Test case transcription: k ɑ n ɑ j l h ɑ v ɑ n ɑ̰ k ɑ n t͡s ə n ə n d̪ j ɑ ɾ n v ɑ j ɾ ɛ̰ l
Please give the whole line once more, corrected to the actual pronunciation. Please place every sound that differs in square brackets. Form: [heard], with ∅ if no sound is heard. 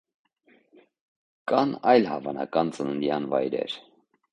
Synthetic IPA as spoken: k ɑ n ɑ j l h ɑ v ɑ n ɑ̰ k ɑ n t͡s ə n ə n d̪ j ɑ [∅] n v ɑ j ɾ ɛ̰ [ɾ]

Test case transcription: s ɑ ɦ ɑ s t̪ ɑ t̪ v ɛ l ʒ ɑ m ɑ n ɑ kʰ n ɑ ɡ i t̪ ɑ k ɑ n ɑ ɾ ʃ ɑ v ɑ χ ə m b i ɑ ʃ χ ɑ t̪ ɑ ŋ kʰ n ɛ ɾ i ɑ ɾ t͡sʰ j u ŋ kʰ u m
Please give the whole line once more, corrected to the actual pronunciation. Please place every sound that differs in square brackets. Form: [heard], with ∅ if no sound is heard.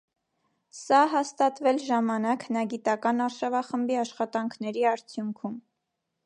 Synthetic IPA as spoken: s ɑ ɦ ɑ s t̪ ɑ t̪ v ɛ l ʒ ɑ m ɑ n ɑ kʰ n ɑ ɡ i t̪ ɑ k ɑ n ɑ ɾ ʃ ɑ v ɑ χ ə m b i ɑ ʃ χ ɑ t̪ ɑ ŋ kʰ n ɛ ɾ i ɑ ɾ t͡sʰ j u ŋ kʰ u m

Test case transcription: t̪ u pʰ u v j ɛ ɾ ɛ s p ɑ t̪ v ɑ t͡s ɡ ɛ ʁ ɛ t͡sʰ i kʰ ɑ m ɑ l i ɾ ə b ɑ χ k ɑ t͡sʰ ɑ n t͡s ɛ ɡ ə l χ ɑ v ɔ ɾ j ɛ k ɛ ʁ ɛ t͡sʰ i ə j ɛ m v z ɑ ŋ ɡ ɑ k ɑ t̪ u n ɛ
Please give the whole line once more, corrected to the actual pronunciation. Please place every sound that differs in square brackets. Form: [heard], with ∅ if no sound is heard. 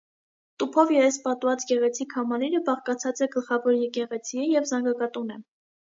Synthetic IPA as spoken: t̪ u pʰ [ɔ] v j ɛ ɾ ɛ s p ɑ t̪ v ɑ t͡s ɡ ɛ ʁ ɛ t͡sʰ i kʰ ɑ m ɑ l i ɾ ə b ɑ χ k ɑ t͡sʰ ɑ [∅] t͡s ɛ ɡ ə l χ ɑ v ɔ ɾ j ɛ k ɛ ʁ ɛ t͡sʰ i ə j ɛ [∅] v z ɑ ŋ ɡ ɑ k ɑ t̪ u n ɛ

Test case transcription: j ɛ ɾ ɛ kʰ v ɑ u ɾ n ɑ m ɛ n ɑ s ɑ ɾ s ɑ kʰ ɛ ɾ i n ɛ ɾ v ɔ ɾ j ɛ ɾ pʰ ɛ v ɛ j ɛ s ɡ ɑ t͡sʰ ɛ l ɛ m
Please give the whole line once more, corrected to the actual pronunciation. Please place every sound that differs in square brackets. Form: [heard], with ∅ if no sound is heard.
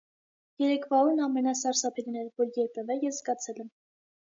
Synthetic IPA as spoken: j ɛ ɾ ɛ kʰ v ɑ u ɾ n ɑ m ɛ n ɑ s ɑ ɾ s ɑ [pʰ] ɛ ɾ i n ɛ ɾ v ɔ ɾ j ɛ ɾ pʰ ɛ v ɛ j ɛ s ɡ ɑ t͡sʰ ɛ l ɛ m

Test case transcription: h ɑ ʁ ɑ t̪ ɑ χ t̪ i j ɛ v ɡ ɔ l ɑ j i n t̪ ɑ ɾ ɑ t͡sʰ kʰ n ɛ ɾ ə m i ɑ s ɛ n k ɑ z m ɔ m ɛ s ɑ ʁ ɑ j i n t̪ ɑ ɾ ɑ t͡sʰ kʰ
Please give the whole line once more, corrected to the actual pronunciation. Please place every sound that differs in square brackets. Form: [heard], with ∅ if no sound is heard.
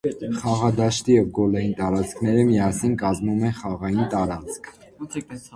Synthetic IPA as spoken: [χ] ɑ ʁ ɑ [d̪] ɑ [ʃ] t̪ i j ɛ v ɡ ɔ l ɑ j i n t̪ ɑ ɾ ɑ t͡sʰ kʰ n ɛ ɾ ə m i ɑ s [i] n k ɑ z m [u] m ɛ [χ] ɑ ʁ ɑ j i n t̪ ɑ ɾ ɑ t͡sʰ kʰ

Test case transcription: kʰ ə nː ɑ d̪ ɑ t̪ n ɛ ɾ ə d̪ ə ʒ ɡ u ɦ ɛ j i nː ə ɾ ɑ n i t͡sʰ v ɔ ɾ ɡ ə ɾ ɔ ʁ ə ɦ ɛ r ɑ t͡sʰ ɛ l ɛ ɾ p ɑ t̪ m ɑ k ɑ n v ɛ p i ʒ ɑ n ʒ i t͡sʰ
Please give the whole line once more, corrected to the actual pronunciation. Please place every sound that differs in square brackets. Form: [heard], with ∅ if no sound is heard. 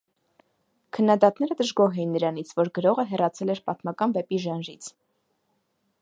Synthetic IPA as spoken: kʰ ə nː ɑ d̪ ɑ t̪ n ɛ ɾ ə d̪ ə ʒ ɡ [ɔ] ɦ ɛ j i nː ə ɾ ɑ n i t͡sʰ v ɔ ɾ ɡ ə ɾ ɔ ʁ ə ɦ ɛ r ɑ t͡sʰ ɛ l ɛ ɾ p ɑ t̪ m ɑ k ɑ n v ɛ p i ʒ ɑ n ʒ i t͡sʰ

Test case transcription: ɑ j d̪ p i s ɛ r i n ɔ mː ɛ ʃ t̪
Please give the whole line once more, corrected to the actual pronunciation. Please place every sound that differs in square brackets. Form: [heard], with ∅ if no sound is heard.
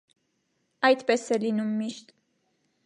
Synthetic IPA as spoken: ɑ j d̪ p [ɛ] s ɛ [l] i n [u] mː [i] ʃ t̪

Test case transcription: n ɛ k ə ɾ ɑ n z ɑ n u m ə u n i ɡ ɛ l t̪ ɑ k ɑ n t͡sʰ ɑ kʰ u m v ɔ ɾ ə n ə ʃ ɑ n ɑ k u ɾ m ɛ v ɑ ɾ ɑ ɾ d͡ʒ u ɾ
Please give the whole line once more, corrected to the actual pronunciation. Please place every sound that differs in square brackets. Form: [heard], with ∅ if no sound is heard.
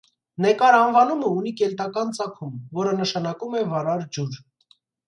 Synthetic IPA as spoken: n ɛ k [ɑ] ɾ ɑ n [v] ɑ n u m ə u n i [k] ɛ l t̪ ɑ k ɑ n [t͡s] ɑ kʰ u m v ɔ ɾ ə n ə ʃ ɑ n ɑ k u [∅] m ɛ v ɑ ɾ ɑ ɾ d͡ʒ u ɾ

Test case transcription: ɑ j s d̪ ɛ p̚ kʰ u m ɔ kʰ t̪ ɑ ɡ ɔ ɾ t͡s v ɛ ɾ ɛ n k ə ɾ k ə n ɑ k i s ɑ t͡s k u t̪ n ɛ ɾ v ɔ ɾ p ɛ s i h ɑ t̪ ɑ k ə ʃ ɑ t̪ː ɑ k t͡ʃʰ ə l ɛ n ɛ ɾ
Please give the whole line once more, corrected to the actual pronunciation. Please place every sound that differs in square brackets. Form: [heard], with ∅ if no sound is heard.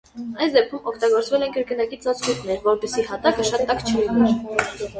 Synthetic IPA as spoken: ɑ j s d̪ ɛ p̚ kʰ u m ɔ kʰ t̪ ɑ ɡ ɔ ɾ t͡s v ɛ [l] ɛ n k ə ɾ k ə n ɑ k i [t͡s] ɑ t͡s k u t̪ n ɛ ɾ v ɔ ɾ p ɛ s i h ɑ t̪ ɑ k ə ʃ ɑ t̪ː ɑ k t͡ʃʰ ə l [i] n ɛ ɾ

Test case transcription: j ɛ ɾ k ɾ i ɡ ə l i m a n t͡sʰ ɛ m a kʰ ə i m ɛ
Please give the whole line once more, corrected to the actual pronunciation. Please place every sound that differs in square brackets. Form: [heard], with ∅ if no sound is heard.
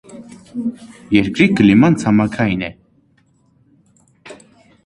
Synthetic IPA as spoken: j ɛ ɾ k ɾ i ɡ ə l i m a n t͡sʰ [a] m a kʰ [a] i [n] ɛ

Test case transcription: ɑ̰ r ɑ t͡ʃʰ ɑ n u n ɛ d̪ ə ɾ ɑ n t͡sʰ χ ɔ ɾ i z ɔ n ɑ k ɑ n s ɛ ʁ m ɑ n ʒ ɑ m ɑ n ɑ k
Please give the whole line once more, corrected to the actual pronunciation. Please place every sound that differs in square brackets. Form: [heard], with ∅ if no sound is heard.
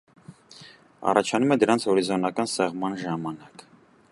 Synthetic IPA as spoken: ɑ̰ r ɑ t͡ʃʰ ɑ n u [m] ɛ d̪ ə ɾ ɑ n t͡sʰ [h] ɔ ɾ i z ɔ n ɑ k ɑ n s ɛ ʁ m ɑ n ʒ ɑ m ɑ n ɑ k

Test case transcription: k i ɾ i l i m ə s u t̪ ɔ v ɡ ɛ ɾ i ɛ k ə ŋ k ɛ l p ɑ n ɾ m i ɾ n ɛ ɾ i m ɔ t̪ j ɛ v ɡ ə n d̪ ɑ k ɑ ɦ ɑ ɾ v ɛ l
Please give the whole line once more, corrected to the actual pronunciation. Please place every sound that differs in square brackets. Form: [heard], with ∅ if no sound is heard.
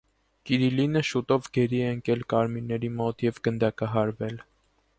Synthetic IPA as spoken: k i ɾ i l i [n] ə [ʃ] u t̪ ɔ v ɡ ɛ ɾ i ɛ [∅] ə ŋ k ɛ l [k] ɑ [∅] ɾ m i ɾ n ɛ ɾ i m ɔ t̪ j ɛ v ɡ ə n d̪ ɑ k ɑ ɦ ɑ ɾ v ɛ l

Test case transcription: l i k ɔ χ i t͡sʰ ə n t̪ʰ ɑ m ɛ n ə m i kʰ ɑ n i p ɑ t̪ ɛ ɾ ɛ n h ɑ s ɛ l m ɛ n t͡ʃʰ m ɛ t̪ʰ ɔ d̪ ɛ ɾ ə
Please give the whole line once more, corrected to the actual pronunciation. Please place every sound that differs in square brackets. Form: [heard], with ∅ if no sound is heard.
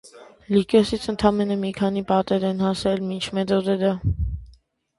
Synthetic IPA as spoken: l i k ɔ [s] i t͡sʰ ə n t̪ʰ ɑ m ɛ n ə m i kʰ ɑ n i p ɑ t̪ ɛ ɾ ɛ n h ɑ s ɛ l m [i] n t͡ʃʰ m ɛ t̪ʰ ɔ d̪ ɛ ɾ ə

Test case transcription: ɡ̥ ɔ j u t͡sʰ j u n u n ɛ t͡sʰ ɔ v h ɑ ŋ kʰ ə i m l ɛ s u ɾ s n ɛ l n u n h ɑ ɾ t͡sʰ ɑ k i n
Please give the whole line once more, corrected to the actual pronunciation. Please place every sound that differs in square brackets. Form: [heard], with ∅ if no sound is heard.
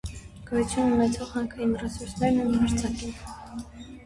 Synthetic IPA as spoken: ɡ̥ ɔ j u t͡sʰ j u n u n ɛ t͡sʰ ɔ [ʁ] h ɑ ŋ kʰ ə i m [r] ɛ s u ɾ s n ɛ [ɾ] n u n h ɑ ɾ t͡sʰ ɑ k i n

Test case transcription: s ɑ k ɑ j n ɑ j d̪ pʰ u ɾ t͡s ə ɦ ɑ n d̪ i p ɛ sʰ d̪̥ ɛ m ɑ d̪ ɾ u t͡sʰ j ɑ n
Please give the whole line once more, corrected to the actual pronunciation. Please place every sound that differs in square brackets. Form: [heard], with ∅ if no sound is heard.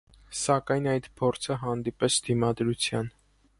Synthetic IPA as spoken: s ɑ k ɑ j n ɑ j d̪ pʰ [ɔ] ɾ [t͡sʰ] ə ɦ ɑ n d̪ i p ɛ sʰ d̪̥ [i] m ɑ d̪ ɾ u t͡sʰ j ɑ n

